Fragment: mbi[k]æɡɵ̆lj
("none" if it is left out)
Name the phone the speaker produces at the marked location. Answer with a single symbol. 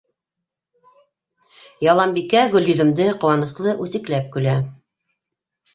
k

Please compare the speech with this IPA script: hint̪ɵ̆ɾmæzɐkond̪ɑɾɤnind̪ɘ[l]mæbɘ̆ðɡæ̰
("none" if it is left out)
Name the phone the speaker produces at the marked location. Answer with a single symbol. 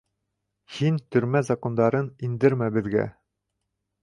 ɾ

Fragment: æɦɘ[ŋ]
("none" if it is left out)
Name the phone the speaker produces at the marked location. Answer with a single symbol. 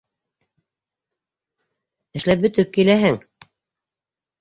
ŋ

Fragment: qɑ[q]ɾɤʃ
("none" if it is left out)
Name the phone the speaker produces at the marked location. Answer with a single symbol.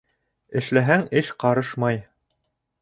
none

